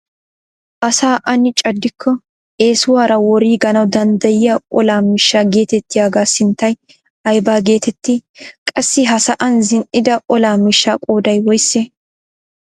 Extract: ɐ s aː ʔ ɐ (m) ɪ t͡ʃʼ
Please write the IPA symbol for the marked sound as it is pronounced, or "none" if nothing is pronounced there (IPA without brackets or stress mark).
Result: n